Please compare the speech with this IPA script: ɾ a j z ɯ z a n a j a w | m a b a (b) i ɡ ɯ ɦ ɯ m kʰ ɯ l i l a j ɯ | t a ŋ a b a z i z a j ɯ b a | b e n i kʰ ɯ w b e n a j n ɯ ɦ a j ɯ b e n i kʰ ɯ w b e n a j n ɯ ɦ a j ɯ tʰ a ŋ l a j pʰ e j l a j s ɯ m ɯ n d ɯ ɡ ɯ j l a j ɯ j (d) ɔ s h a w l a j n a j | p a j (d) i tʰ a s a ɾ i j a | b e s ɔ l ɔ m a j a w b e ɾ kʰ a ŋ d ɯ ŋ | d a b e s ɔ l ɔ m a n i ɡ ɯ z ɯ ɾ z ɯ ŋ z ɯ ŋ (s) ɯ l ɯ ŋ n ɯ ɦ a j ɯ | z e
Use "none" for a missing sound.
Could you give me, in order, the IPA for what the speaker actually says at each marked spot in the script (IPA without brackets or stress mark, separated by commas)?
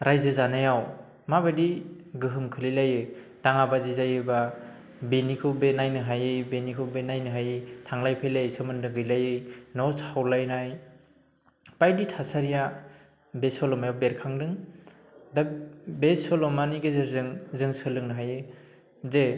d, n, d, s